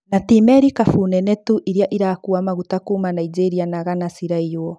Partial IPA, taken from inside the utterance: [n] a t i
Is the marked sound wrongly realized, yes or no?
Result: no